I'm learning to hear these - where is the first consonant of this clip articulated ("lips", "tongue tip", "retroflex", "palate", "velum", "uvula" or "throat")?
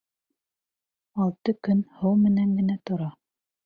tongue tip